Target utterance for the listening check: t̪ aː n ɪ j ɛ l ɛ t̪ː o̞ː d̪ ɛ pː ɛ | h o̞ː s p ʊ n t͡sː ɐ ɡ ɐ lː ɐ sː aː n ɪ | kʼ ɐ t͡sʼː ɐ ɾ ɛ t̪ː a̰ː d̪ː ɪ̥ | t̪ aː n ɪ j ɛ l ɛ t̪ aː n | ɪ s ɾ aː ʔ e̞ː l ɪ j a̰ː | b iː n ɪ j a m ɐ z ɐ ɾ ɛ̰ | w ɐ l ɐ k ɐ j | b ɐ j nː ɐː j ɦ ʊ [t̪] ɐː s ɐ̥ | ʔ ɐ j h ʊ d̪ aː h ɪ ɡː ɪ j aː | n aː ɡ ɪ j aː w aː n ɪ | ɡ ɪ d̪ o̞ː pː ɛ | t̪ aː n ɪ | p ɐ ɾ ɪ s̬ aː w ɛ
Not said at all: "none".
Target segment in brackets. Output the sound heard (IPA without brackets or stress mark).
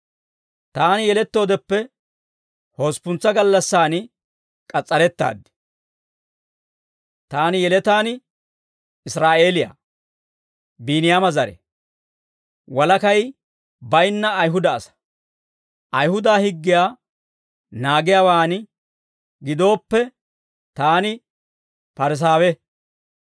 d̪